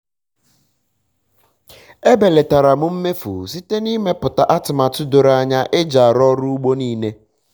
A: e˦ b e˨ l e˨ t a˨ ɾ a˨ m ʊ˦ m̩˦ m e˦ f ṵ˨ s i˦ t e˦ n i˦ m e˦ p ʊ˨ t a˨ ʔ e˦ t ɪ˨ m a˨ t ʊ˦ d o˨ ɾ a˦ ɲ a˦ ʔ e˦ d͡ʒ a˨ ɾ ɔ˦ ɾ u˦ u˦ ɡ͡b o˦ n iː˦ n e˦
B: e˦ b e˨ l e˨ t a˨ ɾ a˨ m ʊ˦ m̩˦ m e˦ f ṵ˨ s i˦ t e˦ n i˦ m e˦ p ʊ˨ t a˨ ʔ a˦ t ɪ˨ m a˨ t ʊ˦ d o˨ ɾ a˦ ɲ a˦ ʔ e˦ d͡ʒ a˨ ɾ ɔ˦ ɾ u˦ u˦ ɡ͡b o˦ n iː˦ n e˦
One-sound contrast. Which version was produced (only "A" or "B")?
B